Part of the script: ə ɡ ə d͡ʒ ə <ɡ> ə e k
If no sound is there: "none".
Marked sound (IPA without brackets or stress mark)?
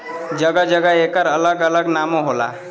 ɡ